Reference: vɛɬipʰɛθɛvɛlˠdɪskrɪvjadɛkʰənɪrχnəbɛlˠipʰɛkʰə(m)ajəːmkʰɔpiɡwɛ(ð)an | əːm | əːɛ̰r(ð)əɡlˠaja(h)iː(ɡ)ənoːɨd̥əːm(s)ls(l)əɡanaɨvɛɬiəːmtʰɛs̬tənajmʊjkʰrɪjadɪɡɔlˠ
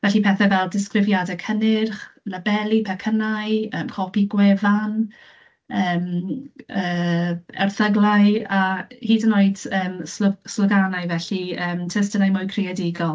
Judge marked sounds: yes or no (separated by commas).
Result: no, no, no, yes, no, yes, yes